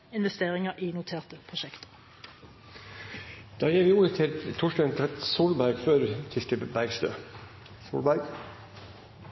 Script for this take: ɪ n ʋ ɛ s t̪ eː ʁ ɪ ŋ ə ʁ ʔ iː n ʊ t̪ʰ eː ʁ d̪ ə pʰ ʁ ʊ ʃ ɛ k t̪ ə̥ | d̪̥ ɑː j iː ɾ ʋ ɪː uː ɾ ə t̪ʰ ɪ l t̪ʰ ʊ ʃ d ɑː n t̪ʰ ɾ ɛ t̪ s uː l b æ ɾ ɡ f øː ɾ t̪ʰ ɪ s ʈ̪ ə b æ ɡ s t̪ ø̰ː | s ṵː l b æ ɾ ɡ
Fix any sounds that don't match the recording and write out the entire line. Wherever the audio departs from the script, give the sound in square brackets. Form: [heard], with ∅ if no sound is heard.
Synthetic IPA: ɪ n ʋ ɛ s t̪ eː ʁ ɪ ŋ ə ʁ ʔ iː n ʊ t̪ʰ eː ʁ [t̪] ə pʰ ʁ ʊ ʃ ɛ k t̪ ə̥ | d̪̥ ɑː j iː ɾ ʋ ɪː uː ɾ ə t̪ʰ ɪ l t̪ʰ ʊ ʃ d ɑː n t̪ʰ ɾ ɛ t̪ s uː l b æ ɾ ɡ f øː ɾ t̪ʰ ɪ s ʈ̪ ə b æ ɡ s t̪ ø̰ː | s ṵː l b æ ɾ ɡ